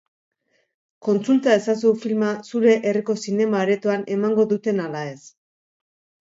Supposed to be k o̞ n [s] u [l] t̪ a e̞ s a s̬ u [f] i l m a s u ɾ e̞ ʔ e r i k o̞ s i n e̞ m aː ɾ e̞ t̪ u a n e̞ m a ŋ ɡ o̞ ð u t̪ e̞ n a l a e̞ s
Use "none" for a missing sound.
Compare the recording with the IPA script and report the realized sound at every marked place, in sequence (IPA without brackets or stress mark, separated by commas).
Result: t͡s, l, f